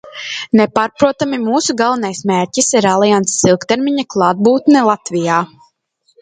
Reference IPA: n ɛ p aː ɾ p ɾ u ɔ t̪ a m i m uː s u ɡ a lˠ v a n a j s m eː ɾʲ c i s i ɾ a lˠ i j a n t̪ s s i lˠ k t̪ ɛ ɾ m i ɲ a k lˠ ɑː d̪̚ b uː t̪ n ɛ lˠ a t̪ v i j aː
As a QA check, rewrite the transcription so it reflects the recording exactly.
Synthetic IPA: n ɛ p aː ɾ p ɾ u ɔ t̪ a m i m uː s u ɡ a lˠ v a n a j s m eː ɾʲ c i s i ɾ a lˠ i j a n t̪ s s i lˠ k t̪ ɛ ɾ m i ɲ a k lˠ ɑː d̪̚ b uː t̪ n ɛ lˠ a t̪ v i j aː